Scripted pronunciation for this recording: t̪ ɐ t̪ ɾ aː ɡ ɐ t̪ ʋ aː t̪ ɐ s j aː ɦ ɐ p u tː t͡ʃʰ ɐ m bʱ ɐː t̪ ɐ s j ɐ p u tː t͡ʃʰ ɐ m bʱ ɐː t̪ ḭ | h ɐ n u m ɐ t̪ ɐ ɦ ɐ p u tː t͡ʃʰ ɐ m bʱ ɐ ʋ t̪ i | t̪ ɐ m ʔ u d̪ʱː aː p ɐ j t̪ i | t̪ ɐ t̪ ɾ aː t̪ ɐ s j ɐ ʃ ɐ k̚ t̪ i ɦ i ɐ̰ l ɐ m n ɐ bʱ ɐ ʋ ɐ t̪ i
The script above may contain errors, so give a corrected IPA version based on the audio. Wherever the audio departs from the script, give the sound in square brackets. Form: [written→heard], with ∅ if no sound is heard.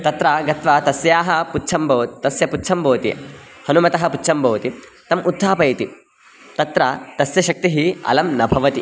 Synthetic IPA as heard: t̪ ɐ t̪ ɾ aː ɡ ɐ t̪ ʋ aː t̪ ɐ s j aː ɦ ɐ p u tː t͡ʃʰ ɐ m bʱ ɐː t̪ ɐ s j ɐ p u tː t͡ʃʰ ɐ m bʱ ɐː t̪ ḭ | h ɐ n u m ɐ t̪ ɐ ɦ ɐ p u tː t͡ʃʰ ɐ m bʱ ɐ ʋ t̪ i | t̪ ɐ m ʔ u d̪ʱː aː p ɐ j t̪ i | t̪ ɐ t̪ ɾ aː t̪ ɐ s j ɐ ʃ ɐ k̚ t̪ i ɦ i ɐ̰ l ɐ m n ɐ bʱ ɐ ʋ ɐ t̪ i

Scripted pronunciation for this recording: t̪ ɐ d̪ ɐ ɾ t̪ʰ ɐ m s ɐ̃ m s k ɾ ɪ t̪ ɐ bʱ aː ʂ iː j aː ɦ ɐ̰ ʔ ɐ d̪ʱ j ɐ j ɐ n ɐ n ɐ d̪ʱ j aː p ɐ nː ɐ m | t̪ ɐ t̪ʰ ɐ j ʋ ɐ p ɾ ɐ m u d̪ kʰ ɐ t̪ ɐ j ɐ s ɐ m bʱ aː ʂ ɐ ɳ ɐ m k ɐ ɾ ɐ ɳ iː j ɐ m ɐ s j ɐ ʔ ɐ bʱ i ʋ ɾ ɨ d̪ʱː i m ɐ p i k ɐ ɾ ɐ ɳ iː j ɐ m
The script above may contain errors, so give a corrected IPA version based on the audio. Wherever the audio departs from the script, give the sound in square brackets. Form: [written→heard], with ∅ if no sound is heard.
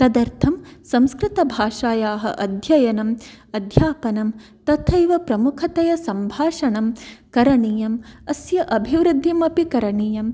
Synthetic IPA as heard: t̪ ɐ d̪ ɐ ɾ t̪ʰ ɐ m s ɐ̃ m s k ɾ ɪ t̪ ɐ bʱ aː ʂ [iː→aː] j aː ɦ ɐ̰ ʔ ɐ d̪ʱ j ɐ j ɐ n ɐ [n→m] ɐ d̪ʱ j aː p ɐ [nː→n] ɐ m | t̪ ɐ t̪ʰ ɐ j ʋ ɐ p ɾ ɐ m u [d̪→∅] kʰ ɐ t̪ ɐ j ɐ s ɐ m bʱ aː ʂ ɐ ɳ ɐ m k ɐ ɾ ɐ ɳ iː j ɐ m ɐ s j ɐ ʔ ɐ bʱ i ʋ ɾ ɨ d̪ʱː i m ɐ p i k ɐ ɾ ɐ ɳ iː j ɐ m

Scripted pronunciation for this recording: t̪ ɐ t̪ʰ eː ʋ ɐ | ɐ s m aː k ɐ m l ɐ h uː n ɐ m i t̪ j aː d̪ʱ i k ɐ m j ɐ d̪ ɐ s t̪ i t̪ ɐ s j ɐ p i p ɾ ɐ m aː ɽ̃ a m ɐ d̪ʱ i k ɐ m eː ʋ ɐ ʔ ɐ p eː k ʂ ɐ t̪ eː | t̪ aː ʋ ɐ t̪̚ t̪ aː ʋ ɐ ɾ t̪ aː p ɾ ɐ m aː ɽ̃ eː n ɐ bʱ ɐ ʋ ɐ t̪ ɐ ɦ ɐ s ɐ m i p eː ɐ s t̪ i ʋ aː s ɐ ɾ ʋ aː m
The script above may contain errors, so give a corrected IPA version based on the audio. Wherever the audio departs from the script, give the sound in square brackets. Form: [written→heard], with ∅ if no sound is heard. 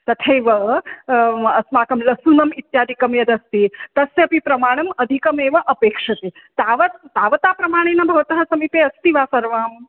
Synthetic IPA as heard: t̪ ɐ t̪ʰ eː ʋ ɐ | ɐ s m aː k ɐ m l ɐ [h→s] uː n ɐ m i t̪ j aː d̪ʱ i k ɐ m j ɐ d̪ ɐ s t̪ i t̪ ɐ s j ɐ p i p ɾ ɐ m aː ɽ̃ [a→ɐ] m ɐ d̪ʱ i k ɐ m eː ʋ ɐ ʔ ɐ p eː k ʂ ɐ t̪ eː | t̪ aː ʋ ɐ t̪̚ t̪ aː ʋ ɐ [ɾ→∅] t̪ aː p ɾ ɐ m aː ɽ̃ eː n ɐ bʱ ɐ ʋ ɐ t̪ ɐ ɦ ɐ s ɐ m i p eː ɐ s t̪ i ʋ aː s ɐ ɾ ʋ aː m

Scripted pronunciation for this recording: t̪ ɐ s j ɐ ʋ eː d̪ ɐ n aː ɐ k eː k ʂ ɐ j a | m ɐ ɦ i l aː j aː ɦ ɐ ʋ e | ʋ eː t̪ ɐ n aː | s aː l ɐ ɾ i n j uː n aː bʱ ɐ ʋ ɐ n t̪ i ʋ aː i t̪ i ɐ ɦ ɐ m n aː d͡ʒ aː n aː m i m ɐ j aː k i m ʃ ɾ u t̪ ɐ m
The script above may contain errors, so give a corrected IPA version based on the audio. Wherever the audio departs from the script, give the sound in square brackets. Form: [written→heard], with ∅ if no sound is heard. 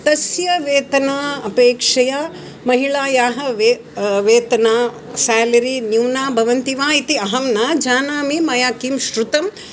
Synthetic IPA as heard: t̪ ɐ s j ɐ ʋ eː [d̪→t̪] ɐ n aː ɐ [k→p] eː k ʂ ɐ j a | m ɐ ɦ i [l→ɭ] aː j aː ɦ ɐ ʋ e | ʋ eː t̪ ɐ n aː | s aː l ɐ ɾ i n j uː n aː bʱ ɐ ʋ ɐ n t̪ i ʋ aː i t̪ i ɐ ɦ ɐ m n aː d͡ʒ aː n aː m i m ɐ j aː k i m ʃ ɾ u t̪ ɐ m

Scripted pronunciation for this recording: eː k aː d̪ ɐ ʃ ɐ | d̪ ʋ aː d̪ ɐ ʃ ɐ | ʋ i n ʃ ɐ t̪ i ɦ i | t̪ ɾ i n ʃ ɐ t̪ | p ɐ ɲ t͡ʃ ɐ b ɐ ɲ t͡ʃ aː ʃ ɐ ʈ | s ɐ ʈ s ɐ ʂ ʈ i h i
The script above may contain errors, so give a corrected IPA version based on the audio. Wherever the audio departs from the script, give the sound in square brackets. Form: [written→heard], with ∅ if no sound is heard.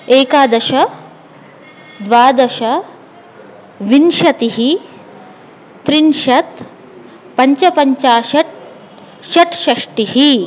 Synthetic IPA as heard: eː k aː d̪ ɐ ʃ ɐ | d̪ ʋ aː d̪ ɐ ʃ ɐ | ʋ i n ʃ ɐ t̪ i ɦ i | t̪ ɾ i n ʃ ɐ t̪ | p ɐ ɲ t͡ʃ ɐ [b→p] ɐ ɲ t͡ʃ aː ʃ ɐ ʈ | [s→ʃ] ɐ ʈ [s→ʃ] ɐ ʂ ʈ i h i

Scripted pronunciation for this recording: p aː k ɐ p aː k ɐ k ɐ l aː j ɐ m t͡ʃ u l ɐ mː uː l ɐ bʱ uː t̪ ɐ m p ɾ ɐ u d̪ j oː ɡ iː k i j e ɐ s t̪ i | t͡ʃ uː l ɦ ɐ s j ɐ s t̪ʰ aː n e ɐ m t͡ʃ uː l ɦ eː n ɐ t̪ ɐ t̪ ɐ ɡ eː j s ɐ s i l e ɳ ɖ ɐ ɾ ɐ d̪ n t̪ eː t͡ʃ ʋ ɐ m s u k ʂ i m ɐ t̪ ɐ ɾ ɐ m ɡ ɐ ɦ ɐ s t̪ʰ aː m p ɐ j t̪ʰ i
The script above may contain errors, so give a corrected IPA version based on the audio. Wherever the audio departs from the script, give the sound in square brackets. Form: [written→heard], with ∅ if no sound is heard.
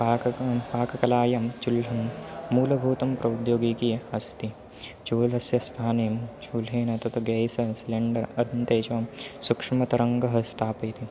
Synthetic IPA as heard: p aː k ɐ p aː k ɐ k ɐ l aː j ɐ m t͡ʃ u l ɐ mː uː l ɐ bʱ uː t̪ ɐ m p ɾ ɐ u d̪ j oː ɡ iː k i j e ɐ s t̪ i | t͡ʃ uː l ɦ ɐ s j ɐ s t̪ʰ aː n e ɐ m t͡ʃ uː l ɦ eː n ɐ t̪ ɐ t̪ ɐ ɡ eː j s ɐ s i l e ɳ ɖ ɐ ɾ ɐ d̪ n t̪ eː t͡ʃ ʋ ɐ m s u k ʂ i m ɐ t̪ ɐ ɾ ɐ [m→ŋ] ɡ ɐ ɦ ɐ s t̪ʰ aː [m→∅] p ɐ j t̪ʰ i

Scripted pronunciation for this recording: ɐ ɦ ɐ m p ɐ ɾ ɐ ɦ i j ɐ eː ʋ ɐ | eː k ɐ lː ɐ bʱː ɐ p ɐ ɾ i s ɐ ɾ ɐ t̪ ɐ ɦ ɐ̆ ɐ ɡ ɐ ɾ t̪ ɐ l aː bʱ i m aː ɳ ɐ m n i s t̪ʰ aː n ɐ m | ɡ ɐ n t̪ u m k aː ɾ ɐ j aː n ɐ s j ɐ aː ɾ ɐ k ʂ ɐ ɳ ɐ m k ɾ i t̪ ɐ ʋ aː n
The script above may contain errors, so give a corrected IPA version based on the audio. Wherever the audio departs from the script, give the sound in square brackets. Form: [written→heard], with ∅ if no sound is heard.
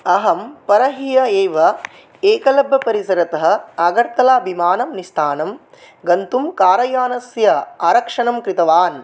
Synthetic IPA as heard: ɐ ɦ ɐ m p ɐ ɾ ɐ ɦ i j ɐ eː ʋ ɐ | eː k ɐ [lː→l] ɐ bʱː ɐ p ɐ ɾ i s ɐ ɾ ɐ t̪ ɐ ɦ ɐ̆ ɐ ɡ ɐ ɾ t̪ ɐ l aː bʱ i m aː [ɳ→n] ɐ m n i s t̪ʰ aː n ɐ m | ɡ ɐ n t̪ u m k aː ɾ ɐ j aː n ɐ s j ɐ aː ɾ ɐ k ʂ ɐ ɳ ɐ m k ɾ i t̪ ɐ ʋ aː n

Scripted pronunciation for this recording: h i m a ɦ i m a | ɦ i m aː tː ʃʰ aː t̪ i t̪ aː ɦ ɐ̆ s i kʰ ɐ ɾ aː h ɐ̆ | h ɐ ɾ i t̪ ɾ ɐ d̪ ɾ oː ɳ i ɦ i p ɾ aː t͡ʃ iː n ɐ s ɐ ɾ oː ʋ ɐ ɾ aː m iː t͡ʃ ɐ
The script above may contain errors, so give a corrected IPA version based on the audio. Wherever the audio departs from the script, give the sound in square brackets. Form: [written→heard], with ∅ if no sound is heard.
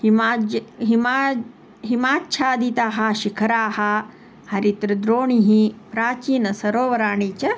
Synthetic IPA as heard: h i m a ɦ i m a | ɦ i m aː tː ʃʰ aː [t̪→d̪] i t̪ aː ɦ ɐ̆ [s→ʃ] i kʰ ɐ ɾ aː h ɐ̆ | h ɐ ɾ i t̪ ɾ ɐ d̪ ɾ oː ɳ i ɦ i p ɾ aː t͡ʃ iː n ɐ s ɐ ɾ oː ʋ ɐ ɾ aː [m→ɳ] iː t͡ʃ ɐ

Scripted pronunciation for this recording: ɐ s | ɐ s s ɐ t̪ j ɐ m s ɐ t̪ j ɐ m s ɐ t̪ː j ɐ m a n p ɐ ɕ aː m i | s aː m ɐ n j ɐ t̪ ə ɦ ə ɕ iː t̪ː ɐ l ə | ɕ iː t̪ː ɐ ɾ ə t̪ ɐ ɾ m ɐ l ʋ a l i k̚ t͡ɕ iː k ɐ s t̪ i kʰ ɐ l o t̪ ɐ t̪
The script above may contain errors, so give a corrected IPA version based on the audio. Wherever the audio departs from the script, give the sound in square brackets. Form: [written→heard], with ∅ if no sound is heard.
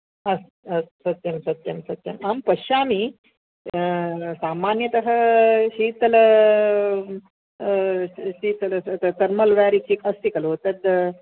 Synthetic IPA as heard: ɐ s | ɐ s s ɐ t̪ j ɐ m s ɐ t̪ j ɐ m s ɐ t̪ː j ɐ m a [n→m] p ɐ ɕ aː m i | s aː m [ɐ→a] n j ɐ t̪ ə ɦ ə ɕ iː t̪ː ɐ l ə | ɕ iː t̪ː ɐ [ɾ→l] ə t̪ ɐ ɾ m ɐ l ʋ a [l→ɾ] i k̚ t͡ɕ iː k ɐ s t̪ i [kʰ→k] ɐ l o t̪ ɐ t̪

